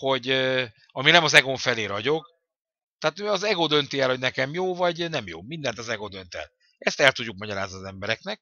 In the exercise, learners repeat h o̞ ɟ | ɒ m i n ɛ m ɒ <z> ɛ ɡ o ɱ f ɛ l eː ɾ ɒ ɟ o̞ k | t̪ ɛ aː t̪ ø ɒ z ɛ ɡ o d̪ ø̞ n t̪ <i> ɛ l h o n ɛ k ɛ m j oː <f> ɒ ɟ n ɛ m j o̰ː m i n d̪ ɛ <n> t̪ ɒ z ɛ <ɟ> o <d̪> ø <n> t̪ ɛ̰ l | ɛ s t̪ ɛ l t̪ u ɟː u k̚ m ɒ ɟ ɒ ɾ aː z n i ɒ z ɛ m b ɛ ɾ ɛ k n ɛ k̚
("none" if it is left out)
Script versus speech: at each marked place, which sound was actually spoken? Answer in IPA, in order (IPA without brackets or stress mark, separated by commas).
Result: z, i, v, n, ɡ, d̪, n